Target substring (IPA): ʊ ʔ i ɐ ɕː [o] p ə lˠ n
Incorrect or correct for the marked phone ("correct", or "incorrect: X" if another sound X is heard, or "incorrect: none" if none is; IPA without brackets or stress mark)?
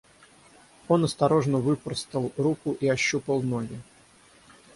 incorrect: u